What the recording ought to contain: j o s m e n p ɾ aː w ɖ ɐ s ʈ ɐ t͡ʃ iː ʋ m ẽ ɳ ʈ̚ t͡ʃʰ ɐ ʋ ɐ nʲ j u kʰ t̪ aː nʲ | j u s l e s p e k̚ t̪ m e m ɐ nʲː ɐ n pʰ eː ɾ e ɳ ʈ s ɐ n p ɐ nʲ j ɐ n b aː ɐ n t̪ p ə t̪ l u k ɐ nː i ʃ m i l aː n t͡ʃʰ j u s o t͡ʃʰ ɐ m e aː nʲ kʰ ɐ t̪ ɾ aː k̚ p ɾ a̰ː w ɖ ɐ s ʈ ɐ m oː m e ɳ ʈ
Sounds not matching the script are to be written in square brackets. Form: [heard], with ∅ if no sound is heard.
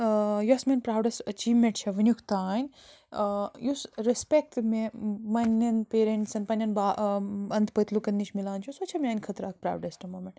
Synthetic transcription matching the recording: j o s m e n p ɾ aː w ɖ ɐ s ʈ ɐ t͡ʃ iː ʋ m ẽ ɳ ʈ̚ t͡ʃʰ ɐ ʋ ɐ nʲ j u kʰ t̪ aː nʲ | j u s [ɾ] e s p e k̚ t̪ m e m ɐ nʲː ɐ n [p] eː ɾ e ɳ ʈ s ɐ n p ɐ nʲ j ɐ n b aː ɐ n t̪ p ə t̪ l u k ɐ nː i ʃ m i l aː n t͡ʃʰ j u s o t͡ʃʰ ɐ m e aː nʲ kʰ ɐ t̪ ɾ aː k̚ p ɾ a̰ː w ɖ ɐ s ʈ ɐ m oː m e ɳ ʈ